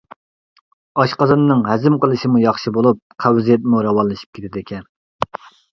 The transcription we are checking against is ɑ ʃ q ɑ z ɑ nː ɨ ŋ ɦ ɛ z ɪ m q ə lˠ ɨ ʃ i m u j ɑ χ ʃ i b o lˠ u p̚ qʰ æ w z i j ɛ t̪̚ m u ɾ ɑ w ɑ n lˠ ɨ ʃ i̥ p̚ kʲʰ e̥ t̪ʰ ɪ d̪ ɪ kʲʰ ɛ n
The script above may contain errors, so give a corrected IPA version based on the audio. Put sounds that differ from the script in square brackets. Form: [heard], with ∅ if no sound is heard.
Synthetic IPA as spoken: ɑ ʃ q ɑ z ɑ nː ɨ ŋ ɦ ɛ z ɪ m q ə lˠ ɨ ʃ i m u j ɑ χ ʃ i b o lˠ u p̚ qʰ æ w z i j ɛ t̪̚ m u ɾ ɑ w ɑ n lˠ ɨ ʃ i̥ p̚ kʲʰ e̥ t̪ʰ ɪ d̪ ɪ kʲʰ ɛ n